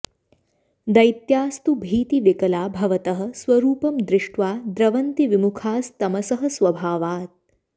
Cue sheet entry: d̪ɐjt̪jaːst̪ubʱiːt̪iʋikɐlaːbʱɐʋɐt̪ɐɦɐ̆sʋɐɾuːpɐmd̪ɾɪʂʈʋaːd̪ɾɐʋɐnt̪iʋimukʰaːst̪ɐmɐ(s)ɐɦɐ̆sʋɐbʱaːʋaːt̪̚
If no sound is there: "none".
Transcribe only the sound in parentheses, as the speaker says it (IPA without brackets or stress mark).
s